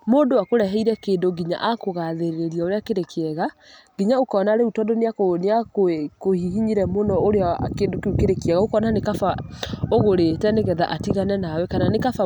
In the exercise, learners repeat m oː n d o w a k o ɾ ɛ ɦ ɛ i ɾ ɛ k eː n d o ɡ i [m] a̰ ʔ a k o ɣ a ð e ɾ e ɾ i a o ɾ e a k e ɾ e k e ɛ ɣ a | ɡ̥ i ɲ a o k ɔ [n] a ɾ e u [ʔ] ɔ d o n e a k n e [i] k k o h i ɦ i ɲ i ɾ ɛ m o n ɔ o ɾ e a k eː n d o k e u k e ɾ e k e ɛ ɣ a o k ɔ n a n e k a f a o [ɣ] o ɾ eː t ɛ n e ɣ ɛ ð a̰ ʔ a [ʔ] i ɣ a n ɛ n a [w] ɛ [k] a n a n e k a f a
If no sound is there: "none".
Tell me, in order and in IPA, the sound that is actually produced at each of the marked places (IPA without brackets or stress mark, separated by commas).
ɲ, n, t, a, ɣ, t, w, k